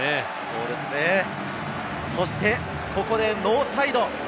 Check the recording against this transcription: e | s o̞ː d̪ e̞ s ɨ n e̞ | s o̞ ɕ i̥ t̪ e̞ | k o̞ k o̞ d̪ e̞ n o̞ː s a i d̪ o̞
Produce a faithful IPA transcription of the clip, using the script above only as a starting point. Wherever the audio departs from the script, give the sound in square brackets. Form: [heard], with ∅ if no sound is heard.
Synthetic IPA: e | s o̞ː d̪ e̞ s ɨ n e̞ | s o̞ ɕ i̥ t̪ e̞ | k o̞ k o̞ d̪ e̞ n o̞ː s a i d̪ o̞